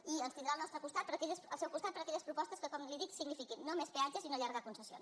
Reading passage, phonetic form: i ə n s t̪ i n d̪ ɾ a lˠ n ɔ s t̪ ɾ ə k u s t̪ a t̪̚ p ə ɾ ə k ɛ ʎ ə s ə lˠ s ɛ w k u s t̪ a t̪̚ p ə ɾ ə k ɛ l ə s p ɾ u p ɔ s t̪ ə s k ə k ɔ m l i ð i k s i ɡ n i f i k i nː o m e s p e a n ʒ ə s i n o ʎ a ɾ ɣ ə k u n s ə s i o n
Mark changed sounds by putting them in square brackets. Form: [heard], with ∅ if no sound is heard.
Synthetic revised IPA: i ə n s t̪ i n d̪ ɾ a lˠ n ɔ s t̪ ɾ ə k u s t̪ a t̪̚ p ə ɾ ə k ɛ ʎ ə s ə lˠ s ɛ w k u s t̪ a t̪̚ p ə ɾ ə k ɛ [ʎ] ə s p ɾ u p ɔ s t̪ ə s k ə k ɔ m l i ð i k s i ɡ n i f i k i nː o m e s p e a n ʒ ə s i n o ʎ a ɾ ɣ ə k u n s ə s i o n